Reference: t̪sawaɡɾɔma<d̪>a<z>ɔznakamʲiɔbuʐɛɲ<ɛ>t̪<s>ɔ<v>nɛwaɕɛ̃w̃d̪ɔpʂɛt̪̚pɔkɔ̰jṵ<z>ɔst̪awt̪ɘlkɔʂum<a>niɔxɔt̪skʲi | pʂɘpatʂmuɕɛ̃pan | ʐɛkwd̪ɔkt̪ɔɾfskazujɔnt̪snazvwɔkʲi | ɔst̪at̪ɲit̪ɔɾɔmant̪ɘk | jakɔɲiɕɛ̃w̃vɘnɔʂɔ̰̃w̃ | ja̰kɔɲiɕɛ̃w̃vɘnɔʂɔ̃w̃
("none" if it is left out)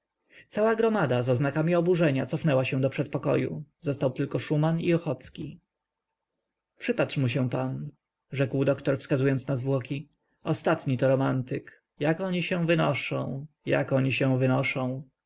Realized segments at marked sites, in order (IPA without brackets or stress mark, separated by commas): d̪, z, a, s, f, z, a